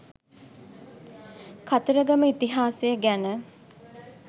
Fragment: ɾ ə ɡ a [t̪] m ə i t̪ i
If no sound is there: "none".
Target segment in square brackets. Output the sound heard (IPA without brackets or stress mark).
none